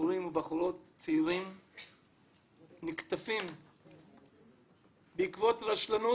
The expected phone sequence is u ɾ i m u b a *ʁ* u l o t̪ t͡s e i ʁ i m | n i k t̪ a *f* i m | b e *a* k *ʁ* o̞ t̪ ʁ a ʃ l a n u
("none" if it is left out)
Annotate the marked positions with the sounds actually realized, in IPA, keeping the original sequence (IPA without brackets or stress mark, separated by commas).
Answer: χ, f, i, v